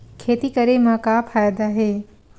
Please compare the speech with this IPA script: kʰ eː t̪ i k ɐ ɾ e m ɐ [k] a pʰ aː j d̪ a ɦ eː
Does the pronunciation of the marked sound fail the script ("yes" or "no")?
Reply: no